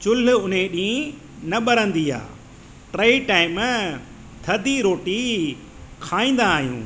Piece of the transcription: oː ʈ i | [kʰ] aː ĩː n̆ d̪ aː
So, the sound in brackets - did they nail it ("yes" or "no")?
yes